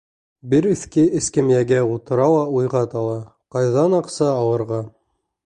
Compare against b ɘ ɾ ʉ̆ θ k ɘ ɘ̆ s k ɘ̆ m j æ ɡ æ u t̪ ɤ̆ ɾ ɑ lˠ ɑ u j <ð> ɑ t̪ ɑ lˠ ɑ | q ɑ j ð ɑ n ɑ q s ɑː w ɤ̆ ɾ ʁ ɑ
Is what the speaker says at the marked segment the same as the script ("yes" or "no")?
no